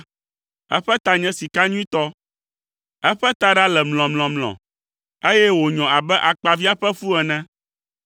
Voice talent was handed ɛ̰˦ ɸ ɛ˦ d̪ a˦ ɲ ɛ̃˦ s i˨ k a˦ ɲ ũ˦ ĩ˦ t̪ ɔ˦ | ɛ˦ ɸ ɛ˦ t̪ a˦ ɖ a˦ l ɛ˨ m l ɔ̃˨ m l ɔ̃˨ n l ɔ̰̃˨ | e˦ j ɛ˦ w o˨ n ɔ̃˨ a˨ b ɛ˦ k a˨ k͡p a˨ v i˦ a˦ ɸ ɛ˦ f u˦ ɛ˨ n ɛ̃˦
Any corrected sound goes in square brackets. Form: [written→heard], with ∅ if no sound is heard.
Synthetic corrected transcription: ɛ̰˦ ɸ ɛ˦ [d̪→t̪] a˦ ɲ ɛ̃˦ s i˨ k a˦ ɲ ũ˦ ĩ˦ t̪ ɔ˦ | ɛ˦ ɸ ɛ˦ t̪ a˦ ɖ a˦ l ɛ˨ m l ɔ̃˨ m l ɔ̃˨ [n→m] l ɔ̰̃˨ | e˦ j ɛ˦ w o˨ [n→ɲ] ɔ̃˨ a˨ b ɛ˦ [k→ʔ] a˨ k͡p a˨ v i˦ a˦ ɸ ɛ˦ f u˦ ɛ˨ n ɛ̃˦